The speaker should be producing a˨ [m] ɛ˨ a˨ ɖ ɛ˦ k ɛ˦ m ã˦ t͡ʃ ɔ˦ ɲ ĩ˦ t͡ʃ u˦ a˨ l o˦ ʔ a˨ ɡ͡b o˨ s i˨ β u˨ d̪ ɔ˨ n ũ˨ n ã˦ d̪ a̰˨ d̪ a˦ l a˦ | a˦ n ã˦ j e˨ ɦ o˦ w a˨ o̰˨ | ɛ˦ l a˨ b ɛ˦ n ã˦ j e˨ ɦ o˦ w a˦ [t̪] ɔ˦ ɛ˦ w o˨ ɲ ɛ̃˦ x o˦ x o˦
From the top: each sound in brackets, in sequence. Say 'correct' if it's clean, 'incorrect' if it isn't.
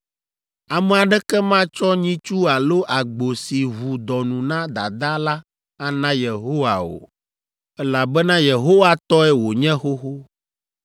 correct, correct

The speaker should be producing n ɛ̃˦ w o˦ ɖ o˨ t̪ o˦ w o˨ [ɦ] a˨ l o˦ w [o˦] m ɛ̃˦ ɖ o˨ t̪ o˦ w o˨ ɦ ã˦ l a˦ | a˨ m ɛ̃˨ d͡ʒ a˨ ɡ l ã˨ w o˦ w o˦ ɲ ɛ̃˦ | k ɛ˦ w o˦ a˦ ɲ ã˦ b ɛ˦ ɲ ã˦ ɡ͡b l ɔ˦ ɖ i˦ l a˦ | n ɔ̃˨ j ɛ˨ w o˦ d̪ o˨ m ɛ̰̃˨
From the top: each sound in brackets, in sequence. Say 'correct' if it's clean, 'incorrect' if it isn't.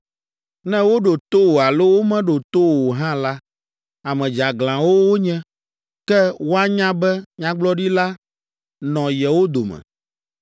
incorrect: none, correct

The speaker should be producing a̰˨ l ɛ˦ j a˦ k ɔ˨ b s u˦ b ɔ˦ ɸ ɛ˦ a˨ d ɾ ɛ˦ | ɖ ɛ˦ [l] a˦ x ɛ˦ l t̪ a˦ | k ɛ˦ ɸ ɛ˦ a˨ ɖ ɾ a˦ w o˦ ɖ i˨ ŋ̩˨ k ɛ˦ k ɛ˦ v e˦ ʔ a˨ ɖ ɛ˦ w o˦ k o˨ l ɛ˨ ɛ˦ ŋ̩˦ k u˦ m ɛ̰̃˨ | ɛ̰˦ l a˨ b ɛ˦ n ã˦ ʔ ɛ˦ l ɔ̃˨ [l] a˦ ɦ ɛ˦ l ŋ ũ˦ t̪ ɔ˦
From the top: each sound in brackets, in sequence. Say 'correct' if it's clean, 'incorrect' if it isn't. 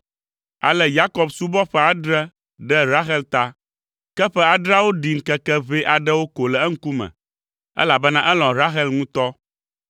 incorrect: ɾ, incorrect: ɾ

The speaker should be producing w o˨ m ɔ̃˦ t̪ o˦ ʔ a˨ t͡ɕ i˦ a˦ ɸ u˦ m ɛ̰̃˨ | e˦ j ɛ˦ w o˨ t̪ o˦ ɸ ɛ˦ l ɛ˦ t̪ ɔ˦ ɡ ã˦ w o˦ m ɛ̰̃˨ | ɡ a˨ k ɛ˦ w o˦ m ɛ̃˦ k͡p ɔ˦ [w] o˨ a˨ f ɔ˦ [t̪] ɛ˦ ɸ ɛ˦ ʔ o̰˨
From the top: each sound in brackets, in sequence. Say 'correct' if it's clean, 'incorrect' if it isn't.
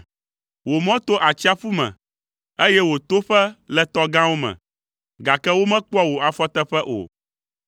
correct, correct

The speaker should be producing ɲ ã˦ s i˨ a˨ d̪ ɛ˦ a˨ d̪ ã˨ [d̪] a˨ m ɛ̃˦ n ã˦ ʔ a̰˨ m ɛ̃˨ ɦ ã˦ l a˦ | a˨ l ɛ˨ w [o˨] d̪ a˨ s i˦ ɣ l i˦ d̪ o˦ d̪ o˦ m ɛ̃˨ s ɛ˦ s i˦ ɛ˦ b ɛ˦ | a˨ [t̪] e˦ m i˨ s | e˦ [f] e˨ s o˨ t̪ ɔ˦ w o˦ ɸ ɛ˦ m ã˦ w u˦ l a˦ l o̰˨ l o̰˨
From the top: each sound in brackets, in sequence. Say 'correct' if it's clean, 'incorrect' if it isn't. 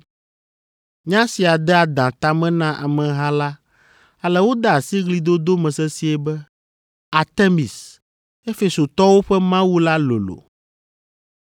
incorrect: t̪, incorrect: o˦, correct, correct

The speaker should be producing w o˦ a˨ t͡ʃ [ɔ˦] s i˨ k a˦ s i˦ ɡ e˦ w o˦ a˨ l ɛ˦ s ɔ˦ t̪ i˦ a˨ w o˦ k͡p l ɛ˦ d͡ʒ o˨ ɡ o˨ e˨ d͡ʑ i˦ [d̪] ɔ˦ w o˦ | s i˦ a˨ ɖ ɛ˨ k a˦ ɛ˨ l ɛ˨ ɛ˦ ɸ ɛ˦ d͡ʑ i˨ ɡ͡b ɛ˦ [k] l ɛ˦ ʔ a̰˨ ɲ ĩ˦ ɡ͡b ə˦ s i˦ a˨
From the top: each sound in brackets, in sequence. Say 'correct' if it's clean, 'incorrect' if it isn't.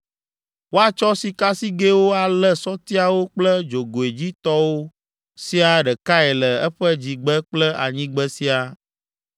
correct, incorrect: t̪, incorrect: k͡p

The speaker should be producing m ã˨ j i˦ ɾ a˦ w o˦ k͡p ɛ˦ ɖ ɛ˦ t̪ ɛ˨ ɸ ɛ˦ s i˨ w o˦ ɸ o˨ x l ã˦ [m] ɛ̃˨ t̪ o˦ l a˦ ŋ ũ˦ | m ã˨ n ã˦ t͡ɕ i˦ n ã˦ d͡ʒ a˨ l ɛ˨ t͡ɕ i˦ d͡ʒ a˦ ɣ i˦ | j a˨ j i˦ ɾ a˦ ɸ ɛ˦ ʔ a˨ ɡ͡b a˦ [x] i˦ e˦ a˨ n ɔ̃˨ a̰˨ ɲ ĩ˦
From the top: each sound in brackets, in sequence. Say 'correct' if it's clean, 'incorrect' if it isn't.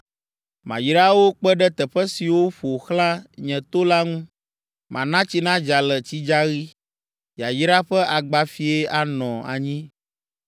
incorrect: ɲ, incorrect: f

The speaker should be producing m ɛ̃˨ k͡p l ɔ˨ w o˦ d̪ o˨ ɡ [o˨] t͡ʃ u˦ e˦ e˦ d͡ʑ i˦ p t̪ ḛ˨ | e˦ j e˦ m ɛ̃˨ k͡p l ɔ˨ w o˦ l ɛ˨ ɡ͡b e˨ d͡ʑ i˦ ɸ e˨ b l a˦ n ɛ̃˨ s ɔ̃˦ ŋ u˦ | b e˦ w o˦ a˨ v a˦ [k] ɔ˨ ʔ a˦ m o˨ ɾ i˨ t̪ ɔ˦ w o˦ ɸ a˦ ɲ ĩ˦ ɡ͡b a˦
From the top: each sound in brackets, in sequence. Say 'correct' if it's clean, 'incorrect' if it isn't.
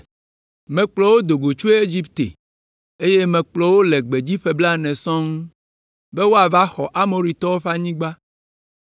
correct, incorrect: x

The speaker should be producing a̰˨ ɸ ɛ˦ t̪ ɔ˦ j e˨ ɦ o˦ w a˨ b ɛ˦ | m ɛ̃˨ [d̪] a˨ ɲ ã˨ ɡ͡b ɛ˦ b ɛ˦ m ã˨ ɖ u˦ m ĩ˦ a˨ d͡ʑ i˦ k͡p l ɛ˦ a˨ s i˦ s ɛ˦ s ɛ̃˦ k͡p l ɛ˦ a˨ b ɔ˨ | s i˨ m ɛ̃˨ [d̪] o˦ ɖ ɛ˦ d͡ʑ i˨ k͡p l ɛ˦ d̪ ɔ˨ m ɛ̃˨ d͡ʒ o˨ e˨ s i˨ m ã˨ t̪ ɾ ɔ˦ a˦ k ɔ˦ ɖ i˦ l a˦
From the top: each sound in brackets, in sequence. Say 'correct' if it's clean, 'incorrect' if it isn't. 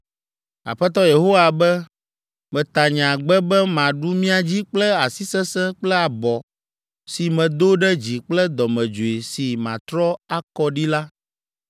incorrect: t̪, correct

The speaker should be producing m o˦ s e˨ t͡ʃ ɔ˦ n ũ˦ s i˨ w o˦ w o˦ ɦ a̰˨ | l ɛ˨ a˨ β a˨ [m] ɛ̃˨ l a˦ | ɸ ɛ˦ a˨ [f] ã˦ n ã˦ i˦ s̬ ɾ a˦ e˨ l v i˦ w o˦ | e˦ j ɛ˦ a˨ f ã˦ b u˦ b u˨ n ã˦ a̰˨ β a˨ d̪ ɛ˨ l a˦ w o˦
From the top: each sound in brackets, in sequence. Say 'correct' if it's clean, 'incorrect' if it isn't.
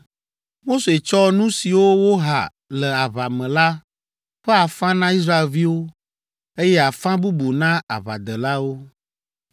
correct, correct

